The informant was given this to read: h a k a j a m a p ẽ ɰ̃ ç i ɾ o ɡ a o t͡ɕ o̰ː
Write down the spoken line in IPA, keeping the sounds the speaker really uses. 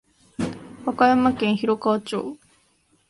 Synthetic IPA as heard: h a k a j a m a k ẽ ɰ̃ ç i ɾ o k a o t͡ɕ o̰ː